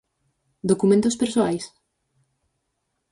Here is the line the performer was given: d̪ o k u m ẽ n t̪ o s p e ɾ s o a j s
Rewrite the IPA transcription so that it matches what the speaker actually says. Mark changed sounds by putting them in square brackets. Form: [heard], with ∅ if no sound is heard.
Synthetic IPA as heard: d̪ o k u m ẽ n t̪ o s p e ɾ s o a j s